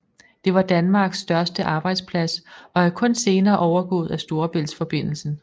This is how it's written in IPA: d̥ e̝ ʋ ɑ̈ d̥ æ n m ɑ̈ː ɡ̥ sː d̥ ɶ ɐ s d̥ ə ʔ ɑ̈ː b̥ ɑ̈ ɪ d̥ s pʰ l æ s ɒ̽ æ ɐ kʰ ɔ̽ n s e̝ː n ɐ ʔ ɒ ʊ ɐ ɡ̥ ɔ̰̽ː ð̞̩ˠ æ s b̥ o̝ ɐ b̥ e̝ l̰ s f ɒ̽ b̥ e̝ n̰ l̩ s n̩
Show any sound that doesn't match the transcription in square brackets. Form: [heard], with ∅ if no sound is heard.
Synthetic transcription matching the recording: d̥ e̝ ʋ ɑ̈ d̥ æ n m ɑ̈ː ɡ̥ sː d̥ ɶ ɐ s d̥ ə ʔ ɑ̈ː b̥ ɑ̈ ɪ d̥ s pʰ l æ s ɒ̽ æ ɐ kʰ ɔ̽ n s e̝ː n [ɐː] ʔ ɒ ʊ ɐ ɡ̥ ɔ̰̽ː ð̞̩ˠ æ s [d̥] o̝ ɐ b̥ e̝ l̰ s f ɒ̽ b̥ e̝ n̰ l̩ s n̩